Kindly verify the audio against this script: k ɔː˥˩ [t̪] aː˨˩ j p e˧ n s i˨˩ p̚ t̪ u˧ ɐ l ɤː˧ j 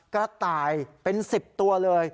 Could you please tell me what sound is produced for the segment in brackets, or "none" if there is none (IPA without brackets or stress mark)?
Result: t̪